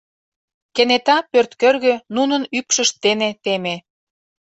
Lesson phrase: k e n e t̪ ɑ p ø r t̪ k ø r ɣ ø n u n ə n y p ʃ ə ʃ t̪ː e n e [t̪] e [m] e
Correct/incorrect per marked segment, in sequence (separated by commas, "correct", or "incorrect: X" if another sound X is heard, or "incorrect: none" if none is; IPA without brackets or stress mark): correct, correct